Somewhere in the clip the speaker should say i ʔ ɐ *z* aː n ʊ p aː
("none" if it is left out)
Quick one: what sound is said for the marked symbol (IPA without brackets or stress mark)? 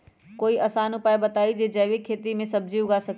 s